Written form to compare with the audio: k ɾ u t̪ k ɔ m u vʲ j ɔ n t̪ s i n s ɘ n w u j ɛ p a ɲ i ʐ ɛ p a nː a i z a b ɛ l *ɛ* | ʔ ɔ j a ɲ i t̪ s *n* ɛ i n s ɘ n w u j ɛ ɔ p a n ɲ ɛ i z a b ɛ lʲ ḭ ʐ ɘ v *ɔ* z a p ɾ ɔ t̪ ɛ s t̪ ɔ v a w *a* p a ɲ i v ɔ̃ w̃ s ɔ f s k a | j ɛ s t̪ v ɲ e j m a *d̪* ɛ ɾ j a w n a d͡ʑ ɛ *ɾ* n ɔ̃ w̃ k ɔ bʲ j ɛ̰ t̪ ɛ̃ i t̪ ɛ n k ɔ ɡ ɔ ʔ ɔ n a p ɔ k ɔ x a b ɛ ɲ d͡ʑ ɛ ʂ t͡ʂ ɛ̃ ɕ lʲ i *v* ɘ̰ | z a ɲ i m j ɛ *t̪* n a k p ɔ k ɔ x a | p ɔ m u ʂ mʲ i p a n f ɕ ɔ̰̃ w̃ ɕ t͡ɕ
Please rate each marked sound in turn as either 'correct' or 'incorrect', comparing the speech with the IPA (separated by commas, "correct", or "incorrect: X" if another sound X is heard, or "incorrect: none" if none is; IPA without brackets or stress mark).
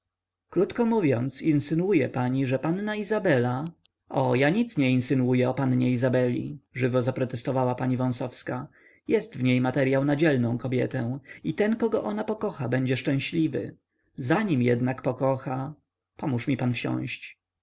incorrect: a, incorrect: ɲ, correct, correct, incorrect: t̪, incorrect: l, correct, incorrect: d̪